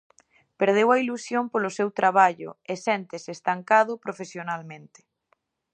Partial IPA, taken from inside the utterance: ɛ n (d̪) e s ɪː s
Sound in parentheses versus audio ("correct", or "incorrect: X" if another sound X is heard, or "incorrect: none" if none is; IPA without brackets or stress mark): incorrect: t̪